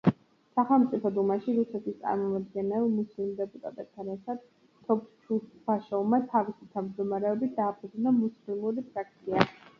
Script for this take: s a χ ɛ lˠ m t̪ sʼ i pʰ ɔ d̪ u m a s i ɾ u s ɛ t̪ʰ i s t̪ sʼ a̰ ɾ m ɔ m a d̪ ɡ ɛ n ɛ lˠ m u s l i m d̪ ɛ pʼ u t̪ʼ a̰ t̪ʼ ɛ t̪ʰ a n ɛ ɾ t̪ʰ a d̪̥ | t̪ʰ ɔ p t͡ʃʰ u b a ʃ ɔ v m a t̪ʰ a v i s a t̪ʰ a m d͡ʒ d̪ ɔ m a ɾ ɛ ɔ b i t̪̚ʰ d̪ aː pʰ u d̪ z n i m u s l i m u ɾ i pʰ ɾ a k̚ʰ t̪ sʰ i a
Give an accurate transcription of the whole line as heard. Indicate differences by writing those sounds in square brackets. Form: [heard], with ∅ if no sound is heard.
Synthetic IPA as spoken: s a χ ɛ lˠ m t̪ sʼ i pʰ ɔ d̪ u m a [ʃ] i ɾ u s ɛ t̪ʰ i s t̪ sʼ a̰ ɾ m ɔ m a d̪ ɡ ɛ n ɛ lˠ m u s l i m d̪ ɛ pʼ u t̪ʼ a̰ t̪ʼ ɛ t̪ʰ a n ɛ ɾ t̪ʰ a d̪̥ | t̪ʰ ɔ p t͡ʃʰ u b a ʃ ɔ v m a t̪ʰ a v i s [i] t̪ʰ a m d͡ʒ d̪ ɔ m a ɾ ɛ ɔ b i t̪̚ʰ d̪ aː pʰ u d̪ z n [a] m u s l i m u ɾ i pʰ ɾ a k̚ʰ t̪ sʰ i a